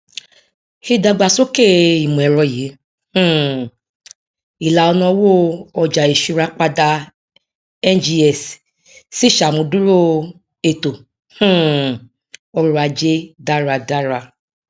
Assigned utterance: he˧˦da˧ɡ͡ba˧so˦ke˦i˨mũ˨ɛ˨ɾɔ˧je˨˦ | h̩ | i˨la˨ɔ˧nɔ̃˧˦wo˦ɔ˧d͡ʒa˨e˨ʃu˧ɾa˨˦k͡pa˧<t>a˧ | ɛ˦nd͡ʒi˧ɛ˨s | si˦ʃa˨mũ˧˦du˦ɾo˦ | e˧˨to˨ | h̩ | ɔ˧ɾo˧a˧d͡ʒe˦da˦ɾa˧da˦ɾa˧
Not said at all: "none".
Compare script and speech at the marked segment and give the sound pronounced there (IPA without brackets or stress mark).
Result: d